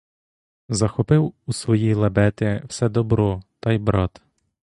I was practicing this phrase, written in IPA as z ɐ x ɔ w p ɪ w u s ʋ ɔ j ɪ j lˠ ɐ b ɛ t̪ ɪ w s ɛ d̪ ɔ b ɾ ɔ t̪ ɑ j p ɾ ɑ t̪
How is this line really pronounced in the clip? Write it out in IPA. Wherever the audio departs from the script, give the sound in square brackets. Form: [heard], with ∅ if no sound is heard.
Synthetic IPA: z ɐ x ɔ [∅] p ɪ w u s ʋ ɔ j [i] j lˠ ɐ b ɛ t̪ ɪ w s ɛ d̪ ɔ b ɾ ɔ t̪ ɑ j [b] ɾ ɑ t̪